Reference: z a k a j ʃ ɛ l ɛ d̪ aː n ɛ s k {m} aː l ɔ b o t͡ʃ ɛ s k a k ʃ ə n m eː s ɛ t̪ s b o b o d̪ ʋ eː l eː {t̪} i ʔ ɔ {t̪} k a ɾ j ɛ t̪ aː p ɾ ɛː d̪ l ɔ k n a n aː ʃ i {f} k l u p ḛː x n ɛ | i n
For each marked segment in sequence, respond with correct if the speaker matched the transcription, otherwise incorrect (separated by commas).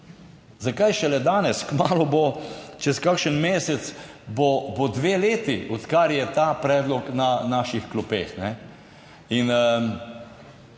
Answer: correct, correct, correct, incorrect